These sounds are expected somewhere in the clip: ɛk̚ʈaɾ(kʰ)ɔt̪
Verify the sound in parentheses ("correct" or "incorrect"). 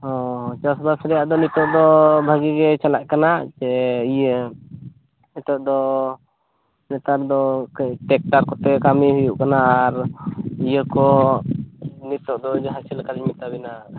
incorrect